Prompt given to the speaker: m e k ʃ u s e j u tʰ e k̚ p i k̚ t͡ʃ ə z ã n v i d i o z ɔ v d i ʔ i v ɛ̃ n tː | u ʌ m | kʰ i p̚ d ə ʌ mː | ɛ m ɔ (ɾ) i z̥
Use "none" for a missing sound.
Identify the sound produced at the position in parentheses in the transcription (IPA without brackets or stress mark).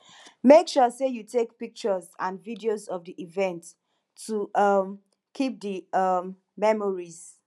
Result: ɹ